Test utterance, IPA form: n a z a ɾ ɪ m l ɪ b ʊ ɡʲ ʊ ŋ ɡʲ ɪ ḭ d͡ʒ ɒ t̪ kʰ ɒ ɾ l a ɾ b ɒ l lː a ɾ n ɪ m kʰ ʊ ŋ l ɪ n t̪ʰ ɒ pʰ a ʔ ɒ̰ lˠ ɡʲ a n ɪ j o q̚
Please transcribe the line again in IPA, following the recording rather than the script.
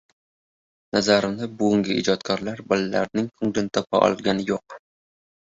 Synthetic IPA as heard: n a z a ɾ ɪ m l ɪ b ʊ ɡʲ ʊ ŋ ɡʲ ɪ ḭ d͡ʒ ɒ t̪ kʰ ɒ ɾ l a ɾ b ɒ l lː a ɾ n ɪ ŋ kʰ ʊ ŋ l ɪ n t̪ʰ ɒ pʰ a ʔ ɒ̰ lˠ ɡʲ a n ɪ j o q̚